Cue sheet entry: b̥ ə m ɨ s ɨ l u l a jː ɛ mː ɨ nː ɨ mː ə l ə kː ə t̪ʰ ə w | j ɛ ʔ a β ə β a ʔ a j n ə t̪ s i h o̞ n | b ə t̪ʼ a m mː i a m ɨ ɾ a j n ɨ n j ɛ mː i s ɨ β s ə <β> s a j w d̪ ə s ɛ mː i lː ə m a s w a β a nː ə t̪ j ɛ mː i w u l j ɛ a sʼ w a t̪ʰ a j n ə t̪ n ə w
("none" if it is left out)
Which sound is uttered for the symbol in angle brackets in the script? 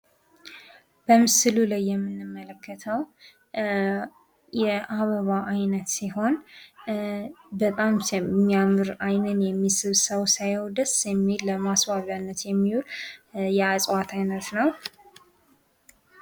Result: w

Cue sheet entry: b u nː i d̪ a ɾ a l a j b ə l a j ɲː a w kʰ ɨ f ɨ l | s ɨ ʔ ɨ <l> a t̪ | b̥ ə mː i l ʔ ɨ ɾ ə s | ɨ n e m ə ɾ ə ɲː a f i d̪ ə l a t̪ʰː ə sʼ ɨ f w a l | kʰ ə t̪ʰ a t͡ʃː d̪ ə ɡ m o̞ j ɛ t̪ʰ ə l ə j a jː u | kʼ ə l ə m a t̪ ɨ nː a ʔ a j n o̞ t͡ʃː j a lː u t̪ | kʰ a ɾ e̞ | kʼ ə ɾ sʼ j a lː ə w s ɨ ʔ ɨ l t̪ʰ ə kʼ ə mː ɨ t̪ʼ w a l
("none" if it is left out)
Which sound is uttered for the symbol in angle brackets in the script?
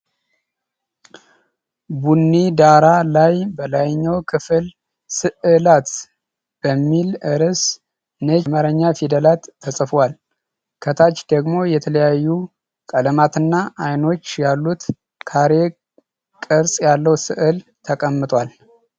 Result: l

